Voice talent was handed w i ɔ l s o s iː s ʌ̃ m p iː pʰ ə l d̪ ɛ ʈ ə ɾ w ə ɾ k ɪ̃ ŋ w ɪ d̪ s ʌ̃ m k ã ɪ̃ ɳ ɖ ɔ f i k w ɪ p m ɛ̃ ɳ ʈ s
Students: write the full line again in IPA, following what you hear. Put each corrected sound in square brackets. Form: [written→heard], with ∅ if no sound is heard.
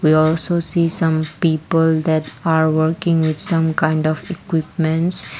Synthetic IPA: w i ɔ l s o s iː s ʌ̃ m p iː [pʰ→p] ə l d̪ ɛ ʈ [ə→a] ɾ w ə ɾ k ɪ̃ ŋ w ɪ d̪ s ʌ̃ m k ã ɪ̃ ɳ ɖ ɔ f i k w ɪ p m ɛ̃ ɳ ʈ s